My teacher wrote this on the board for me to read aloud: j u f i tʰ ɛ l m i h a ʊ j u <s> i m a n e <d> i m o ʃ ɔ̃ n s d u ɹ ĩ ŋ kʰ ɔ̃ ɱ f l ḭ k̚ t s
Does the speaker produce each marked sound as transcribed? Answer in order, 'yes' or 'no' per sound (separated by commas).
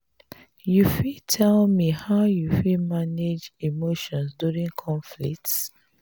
no, no